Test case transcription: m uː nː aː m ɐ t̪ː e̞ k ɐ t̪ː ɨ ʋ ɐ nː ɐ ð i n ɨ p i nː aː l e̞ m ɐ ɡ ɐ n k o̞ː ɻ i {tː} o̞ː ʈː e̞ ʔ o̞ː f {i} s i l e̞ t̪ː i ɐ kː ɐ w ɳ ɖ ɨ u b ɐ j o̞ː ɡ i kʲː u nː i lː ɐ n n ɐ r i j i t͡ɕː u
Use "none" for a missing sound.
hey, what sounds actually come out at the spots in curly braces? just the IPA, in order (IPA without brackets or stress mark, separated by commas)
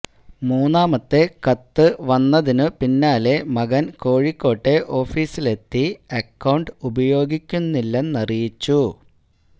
kː, iː